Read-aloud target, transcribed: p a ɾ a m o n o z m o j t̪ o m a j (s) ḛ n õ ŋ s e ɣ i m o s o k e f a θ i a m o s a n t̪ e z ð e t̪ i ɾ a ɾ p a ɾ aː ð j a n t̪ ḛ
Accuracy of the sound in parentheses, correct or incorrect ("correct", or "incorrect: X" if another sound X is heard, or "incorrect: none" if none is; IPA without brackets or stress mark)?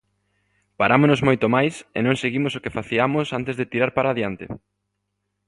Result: correct